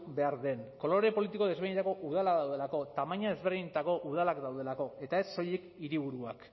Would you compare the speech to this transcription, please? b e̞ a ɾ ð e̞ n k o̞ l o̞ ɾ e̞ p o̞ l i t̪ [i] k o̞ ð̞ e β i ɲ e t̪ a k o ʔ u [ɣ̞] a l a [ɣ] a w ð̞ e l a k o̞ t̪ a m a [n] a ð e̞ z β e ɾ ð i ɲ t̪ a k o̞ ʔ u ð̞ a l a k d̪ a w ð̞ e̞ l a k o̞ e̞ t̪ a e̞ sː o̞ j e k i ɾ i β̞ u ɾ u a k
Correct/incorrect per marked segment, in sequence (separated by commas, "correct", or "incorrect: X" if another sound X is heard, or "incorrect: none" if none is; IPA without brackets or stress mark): correct, incorrect: ð̞, incorrect: ð, incorrect: ɲ